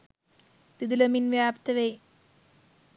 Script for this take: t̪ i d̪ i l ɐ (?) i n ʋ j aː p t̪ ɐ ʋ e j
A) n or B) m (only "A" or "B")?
B